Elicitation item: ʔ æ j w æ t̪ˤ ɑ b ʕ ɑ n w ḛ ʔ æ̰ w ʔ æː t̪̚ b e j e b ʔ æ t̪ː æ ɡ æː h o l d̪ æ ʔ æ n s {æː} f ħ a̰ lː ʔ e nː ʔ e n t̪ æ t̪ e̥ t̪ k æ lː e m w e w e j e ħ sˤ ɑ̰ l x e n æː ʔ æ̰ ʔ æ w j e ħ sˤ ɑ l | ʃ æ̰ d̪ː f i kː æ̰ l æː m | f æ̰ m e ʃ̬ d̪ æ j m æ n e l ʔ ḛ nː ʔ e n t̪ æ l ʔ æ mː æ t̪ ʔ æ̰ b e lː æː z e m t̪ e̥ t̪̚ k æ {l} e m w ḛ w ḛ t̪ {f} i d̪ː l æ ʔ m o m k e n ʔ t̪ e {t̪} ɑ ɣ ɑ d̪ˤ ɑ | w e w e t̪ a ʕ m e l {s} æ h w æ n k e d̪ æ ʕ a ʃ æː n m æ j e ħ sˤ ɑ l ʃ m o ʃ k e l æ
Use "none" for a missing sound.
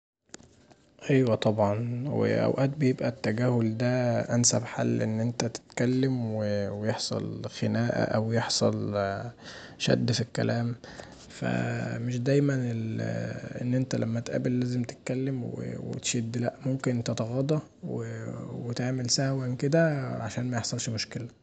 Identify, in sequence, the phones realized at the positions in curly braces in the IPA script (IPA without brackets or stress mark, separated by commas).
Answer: æ, lː, ʃ, t̪, s